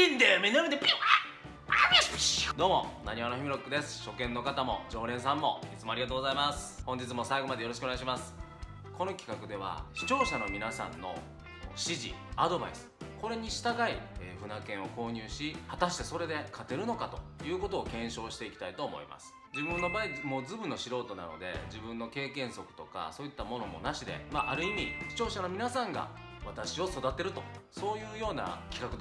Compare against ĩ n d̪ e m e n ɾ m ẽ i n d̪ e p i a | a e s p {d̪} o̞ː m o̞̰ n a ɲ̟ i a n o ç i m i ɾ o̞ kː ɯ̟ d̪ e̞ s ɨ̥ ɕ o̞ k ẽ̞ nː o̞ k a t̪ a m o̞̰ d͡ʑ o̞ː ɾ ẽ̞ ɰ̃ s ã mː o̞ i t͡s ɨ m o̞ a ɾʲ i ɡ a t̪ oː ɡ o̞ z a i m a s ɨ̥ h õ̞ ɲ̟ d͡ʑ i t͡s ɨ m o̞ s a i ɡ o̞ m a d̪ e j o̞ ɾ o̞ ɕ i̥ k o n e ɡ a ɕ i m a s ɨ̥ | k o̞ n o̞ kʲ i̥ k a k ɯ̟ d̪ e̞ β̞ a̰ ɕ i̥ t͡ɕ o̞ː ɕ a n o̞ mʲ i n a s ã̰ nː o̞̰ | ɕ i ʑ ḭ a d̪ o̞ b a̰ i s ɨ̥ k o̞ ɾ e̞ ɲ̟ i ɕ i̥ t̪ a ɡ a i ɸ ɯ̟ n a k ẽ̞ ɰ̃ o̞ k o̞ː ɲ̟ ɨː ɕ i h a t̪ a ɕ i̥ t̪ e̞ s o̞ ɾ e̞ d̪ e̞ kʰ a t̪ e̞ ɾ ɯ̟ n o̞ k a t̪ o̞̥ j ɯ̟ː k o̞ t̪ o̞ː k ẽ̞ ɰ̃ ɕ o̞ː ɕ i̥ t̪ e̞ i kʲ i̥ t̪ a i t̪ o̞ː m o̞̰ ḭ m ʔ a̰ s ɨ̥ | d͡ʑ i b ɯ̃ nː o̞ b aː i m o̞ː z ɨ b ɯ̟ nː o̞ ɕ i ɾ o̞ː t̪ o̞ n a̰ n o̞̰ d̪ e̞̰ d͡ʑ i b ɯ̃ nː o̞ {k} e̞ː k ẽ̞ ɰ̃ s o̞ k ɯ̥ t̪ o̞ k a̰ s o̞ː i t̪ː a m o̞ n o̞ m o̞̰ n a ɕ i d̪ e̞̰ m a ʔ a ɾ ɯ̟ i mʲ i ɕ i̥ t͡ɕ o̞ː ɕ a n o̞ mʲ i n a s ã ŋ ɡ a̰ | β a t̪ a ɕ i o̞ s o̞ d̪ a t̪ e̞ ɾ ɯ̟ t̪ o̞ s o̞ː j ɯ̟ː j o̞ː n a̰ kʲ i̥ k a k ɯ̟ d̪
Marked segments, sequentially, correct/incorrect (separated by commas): correct, correct